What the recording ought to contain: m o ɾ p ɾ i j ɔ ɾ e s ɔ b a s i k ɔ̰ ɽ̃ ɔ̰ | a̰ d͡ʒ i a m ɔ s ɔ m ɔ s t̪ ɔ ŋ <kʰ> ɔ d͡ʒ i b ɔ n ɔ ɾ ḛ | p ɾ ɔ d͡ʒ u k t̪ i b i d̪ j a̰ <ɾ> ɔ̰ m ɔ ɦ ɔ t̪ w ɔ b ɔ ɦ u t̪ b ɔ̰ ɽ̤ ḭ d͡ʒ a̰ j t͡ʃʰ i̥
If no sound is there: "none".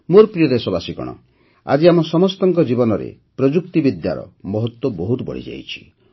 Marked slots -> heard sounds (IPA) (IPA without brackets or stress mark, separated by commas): k, ɾ